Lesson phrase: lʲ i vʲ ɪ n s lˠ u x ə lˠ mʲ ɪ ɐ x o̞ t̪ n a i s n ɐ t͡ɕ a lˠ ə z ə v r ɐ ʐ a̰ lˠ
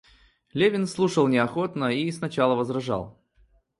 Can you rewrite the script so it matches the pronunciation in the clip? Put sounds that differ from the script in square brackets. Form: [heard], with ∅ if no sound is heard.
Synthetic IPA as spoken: lʲ [e] vʲ ɪ n s lˠ u [ʂ] ə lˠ [nʲ] ɪ ɐ x o̞ t̪ n [ə] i s n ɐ t͡ɕ a lˠ ə [v] ə [z] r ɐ ʐ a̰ lˠ